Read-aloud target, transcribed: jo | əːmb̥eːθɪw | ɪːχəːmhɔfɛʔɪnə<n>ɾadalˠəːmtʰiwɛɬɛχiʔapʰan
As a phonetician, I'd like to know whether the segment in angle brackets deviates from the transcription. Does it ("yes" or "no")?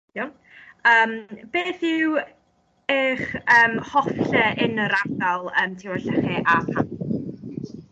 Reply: yes